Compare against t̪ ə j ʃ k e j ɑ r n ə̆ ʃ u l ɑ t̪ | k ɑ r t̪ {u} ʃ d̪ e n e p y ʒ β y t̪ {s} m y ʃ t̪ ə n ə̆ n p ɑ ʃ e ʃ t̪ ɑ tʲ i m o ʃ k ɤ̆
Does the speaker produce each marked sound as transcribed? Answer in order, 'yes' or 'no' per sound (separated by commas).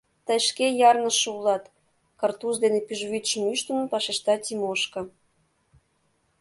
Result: yes, no